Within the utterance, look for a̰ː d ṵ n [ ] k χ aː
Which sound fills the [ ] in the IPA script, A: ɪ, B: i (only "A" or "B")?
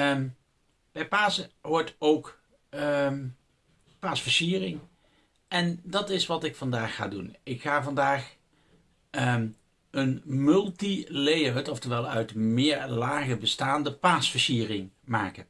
A